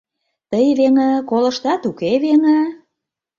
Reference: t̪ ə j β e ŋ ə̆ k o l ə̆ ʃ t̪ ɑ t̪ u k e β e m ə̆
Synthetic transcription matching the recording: t̪ ə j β e ŋ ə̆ k o l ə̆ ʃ t̪ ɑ t̪ u k e β e ŋ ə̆